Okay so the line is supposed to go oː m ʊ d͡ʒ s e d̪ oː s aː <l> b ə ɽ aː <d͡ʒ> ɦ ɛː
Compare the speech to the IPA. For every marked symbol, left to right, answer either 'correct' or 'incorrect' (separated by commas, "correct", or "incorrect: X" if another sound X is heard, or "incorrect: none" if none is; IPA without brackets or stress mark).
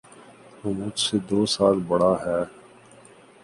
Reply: correct, incorrect: none